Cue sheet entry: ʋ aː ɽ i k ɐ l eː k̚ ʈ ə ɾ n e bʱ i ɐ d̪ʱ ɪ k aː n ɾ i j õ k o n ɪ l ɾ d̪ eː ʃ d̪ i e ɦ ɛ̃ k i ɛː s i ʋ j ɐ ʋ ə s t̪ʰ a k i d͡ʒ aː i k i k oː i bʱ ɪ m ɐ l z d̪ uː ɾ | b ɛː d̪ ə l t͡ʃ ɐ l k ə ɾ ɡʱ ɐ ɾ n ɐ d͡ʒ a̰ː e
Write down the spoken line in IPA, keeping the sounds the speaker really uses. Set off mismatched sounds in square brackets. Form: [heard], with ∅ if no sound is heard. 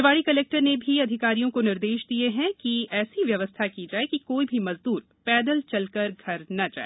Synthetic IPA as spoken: ʋ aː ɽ i k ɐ l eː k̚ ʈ ə ɾ n e bʱ i ɐ d̪ʱ ɪ k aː [∅] ɾ i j õ k o n ɪ [∅] ɾ d̪ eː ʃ d̪ i e ɦ ɛ̃ k i ɛː s i ʋ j ɐ ʋ ə s t̪ʰ a k i d͡ʒ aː [e] k i k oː i bʱ [i] m ɐ [∅] z d̪ uː ɾ | [p] ɛː d̪ ə l t͡ʃ ɐ l k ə ɾ ɡʱ ɐ ɾ n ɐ d͡ʒ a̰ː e